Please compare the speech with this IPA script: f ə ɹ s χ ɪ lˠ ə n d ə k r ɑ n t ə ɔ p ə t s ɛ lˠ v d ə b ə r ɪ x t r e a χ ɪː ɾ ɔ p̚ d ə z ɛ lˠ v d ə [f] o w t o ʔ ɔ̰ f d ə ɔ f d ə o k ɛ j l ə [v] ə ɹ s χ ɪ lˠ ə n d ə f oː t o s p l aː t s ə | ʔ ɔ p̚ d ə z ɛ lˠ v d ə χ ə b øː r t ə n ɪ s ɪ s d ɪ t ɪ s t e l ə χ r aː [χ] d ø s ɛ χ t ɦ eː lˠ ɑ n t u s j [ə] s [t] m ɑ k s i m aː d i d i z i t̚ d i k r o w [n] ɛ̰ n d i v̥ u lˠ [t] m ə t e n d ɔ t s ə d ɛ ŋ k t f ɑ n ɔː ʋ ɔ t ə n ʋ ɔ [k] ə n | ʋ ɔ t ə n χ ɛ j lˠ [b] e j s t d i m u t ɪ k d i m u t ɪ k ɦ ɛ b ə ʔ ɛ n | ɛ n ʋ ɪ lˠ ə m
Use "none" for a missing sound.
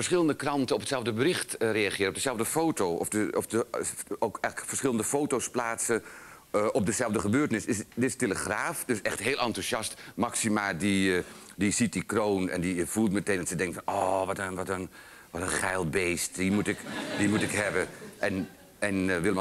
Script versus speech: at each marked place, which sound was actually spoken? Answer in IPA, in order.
f, f, f, ɑ, t, n, t, t, b

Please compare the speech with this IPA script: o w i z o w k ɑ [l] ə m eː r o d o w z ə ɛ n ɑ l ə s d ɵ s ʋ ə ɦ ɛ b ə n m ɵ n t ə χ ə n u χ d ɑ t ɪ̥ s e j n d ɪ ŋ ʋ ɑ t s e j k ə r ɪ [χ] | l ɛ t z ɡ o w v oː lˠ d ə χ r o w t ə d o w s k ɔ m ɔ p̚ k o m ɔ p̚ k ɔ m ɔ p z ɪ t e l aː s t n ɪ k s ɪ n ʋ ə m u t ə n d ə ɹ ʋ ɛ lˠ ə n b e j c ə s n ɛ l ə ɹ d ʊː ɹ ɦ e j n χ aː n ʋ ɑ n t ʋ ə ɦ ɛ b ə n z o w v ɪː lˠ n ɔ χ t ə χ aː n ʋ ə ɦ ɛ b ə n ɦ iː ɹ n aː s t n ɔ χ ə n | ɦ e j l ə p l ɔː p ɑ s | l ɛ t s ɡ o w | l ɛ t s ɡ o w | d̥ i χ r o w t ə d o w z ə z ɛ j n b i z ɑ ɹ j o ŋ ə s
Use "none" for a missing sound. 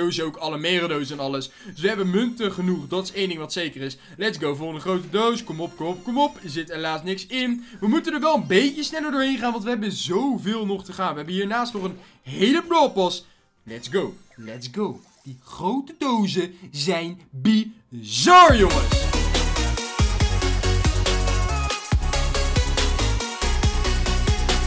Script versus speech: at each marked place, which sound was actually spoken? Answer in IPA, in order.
l, s

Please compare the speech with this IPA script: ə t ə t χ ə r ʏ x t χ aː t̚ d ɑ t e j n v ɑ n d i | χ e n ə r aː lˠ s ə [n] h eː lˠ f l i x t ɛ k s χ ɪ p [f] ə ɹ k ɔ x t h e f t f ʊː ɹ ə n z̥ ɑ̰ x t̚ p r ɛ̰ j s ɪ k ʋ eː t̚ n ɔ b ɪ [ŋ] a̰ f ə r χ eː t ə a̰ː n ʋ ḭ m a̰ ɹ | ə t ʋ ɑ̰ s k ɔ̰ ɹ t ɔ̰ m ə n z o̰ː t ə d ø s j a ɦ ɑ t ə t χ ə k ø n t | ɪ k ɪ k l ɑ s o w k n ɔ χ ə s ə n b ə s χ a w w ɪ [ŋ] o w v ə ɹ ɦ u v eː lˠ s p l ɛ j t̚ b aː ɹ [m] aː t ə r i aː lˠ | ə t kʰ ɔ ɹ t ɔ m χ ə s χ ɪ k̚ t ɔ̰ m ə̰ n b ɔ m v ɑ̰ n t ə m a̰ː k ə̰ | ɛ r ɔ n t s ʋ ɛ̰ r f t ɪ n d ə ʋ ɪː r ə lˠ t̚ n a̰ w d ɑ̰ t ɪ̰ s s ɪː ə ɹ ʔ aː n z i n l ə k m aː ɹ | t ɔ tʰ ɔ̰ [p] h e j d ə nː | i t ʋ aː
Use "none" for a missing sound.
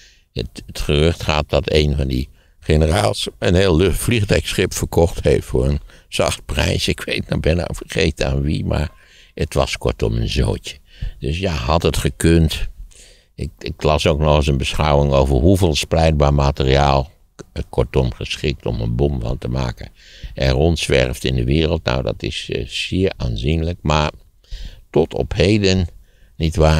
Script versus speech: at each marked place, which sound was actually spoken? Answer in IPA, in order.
n, f, n, ŋ, m, p

